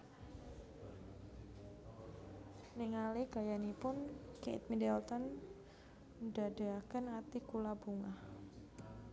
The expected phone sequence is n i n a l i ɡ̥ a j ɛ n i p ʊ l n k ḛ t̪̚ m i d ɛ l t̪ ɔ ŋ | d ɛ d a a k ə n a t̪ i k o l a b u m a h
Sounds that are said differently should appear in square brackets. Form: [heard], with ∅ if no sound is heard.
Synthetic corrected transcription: n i [ŋ] a l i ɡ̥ a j [a] n i p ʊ [∅] n k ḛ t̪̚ m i d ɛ l t̪ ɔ [n] | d [a] d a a k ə n a t̪ i k [u] l a b u [ŋ] a h

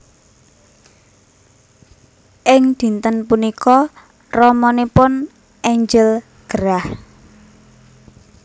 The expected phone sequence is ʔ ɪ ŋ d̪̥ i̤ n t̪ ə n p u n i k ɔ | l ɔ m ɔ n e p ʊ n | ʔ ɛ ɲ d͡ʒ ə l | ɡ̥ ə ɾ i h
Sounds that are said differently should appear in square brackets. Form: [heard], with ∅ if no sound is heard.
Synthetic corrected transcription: ʔ ɪ ŋ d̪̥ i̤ n t̪ ə n p u n i k ɔ | [r] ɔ m ɔ n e p ʊ n | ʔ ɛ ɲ d͡ʒ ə l | ɡ̥ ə ɾ [a] h

